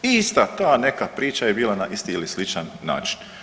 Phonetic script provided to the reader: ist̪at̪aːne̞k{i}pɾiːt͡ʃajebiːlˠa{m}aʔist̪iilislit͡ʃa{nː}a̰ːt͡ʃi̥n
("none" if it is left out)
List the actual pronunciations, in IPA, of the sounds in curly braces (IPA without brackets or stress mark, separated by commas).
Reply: a, n, nː